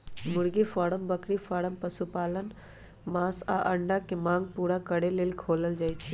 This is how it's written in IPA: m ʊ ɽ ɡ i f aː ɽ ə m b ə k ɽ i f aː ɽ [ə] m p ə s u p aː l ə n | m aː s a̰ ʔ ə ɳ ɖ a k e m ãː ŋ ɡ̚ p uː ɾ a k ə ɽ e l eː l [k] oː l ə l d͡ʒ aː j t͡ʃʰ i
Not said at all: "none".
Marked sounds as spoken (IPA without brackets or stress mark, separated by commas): ə, kʰ